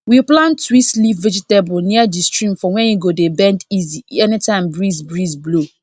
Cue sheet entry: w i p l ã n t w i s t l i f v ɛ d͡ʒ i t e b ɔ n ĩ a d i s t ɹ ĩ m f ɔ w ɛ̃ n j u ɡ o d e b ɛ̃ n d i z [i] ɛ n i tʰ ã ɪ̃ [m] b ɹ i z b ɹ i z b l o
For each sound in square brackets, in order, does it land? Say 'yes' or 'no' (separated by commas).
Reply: yes, yes